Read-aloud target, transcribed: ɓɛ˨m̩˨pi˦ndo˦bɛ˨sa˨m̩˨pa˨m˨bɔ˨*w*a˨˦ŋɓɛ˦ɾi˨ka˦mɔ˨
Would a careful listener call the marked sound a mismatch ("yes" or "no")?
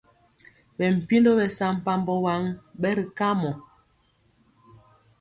no